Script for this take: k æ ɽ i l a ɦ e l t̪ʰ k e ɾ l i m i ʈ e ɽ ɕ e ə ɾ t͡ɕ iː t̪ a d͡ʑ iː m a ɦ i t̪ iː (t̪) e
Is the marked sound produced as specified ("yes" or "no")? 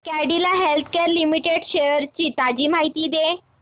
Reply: no